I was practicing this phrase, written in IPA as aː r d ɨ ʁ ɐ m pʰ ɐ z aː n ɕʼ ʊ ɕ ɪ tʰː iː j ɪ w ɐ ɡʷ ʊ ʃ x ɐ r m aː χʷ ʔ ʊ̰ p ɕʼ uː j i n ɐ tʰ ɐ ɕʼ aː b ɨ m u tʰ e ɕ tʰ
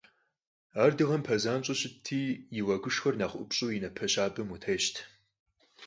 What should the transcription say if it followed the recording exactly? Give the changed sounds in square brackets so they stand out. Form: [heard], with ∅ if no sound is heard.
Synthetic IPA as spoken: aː r d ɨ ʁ ɐ m pʰ ɐ z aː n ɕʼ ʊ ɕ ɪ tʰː iː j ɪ w ɐ ɡʷ ʊ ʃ x ɐ r [n] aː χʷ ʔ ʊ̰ p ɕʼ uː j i n ɐ [pʰ] ɐ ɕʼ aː b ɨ m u tʰ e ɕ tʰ